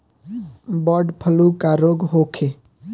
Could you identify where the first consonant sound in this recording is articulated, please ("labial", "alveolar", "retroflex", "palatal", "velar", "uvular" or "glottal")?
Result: labial